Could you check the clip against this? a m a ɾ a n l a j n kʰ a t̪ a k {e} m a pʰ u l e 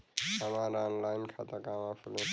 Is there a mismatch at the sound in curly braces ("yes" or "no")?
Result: yes